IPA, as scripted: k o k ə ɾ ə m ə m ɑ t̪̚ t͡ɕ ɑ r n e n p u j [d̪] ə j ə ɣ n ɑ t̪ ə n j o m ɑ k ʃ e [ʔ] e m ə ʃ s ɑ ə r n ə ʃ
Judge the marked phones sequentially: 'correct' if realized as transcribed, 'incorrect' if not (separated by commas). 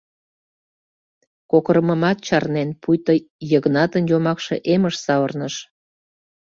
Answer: incorrect, correct